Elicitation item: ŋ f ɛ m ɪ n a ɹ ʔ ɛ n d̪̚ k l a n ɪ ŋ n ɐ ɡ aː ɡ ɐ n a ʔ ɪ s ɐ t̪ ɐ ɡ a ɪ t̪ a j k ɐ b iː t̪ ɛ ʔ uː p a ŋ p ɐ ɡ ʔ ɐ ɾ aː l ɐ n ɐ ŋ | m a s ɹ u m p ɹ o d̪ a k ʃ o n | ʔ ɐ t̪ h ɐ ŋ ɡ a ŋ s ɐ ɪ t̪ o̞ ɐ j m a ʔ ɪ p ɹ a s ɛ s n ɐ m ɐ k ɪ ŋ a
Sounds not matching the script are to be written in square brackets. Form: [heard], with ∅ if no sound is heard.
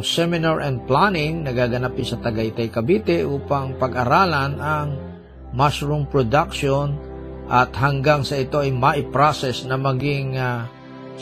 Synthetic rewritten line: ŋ [s] ɛ m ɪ n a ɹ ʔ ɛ n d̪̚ [p] l a n ɪ ŋ n ɐ ɡ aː ɡ ɐ n a [p] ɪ s ɐ t̪ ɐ ɡ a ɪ t̪ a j k ɐ b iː t̪ ɛ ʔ uː p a ŋ p ɐ ɡ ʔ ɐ ɾ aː l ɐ n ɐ ŋ | m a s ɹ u m p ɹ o d̪ a k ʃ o n | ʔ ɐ t̪ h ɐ ŋ ɡ a ŋ s ɐ ɪ t̪ o̞ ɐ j m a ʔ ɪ p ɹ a s ɛ s n ɐ m ɐ [ɡ] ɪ ŋ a